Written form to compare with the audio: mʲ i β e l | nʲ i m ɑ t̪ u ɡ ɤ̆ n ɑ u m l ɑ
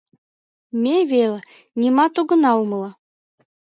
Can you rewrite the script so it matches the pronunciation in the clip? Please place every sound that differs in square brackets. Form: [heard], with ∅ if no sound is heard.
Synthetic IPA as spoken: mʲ [e] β e l | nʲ i m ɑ t̪ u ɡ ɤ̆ n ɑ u m l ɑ